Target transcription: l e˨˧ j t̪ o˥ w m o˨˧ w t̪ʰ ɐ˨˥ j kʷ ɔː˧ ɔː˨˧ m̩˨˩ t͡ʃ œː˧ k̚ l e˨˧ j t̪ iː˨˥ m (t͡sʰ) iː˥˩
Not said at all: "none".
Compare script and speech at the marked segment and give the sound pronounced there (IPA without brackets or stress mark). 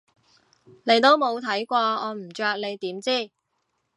t͡s